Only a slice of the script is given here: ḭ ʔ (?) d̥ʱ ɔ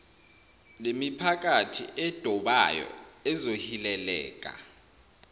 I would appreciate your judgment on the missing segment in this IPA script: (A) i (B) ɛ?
B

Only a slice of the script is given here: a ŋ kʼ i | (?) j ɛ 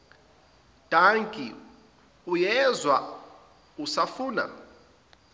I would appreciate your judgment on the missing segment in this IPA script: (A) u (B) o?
A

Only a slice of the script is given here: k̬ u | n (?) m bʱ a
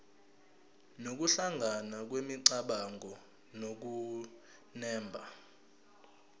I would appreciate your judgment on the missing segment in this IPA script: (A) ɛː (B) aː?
A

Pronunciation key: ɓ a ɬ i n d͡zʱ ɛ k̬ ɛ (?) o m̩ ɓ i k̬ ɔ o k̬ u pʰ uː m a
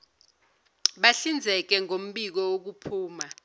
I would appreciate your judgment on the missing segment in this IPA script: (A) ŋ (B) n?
A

